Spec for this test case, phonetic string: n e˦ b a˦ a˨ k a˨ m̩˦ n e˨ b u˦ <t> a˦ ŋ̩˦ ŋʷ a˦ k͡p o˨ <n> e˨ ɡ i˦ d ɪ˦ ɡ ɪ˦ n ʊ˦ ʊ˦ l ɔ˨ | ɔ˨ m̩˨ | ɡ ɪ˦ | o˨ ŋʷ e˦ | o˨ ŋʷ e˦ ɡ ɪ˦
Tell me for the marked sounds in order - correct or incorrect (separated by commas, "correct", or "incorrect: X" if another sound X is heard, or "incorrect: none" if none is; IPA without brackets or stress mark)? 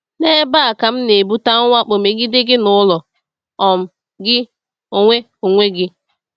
correct, incorrect: m